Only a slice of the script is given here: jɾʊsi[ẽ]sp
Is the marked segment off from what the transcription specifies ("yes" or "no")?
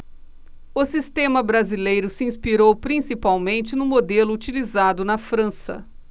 yes